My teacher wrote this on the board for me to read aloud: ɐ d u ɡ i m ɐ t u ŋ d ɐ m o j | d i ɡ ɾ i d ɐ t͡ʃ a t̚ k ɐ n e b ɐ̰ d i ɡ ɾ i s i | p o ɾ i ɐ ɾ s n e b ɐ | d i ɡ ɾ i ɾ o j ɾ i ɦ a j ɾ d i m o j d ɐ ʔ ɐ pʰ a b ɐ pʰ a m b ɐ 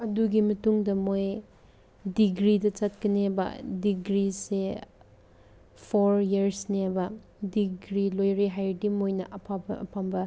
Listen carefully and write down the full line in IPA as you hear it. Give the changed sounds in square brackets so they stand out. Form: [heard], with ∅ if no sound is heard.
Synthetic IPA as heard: ɐ d u ɡ i m ɐ t u ŋ d ɐ m o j | d i ɡ ɾ i d ɐ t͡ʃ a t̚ k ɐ n e b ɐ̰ d i ɡ ɾ i s [e] | [pʰ] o ɾ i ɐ ɾ s n e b ɐ | d i ɡ ɾ i [l] o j ɾ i ɦ a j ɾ d i m o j [n] ɐ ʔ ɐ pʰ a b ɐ pʰ a m b ɐ